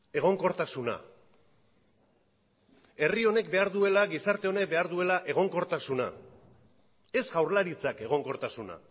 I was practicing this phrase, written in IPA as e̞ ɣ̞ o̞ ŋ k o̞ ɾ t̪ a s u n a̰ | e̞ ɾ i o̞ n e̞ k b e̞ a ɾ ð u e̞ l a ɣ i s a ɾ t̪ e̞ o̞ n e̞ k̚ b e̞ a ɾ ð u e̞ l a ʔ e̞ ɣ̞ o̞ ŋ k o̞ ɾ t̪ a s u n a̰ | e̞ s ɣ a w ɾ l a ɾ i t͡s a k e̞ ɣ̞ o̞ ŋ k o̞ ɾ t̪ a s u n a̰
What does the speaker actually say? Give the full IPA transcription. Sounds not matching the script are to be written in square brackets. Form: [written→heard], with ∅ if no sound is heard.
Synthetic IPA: e̞ ɣ̞ o̞ ŋ k o̞ ɾ t̪ a s u n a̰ | e̞ [ɾ→r] i o̞ n e̞ k b e̞ a ɾ ð u e̞ l a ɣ i s a ɾ t̪ e̞ o̞ n e̞ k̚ b e̞ a ɾ ð u e̞ l a ʔ e̞ ɣ̞ o̞ ŋ k o̞ ɾ t̪ a s u n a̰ | e̞ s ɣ a w ɾ l a ɾ i t͡s a k e̞ ɣ̞ o̞ ŋ k o̞ ɾ t̪ a s u n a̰